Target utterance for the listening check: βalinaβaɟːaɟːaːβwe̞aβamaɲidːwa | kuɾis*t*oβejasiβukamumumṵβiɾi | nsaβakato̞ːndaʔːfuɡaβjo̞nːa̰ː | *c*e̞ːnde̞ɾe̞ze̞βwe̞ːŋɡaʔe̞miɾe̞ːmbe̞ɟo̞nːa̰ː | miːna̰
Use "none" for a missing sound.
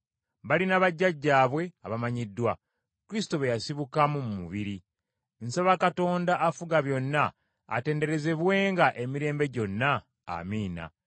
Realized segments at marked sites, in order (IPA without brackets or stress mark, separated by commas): t, t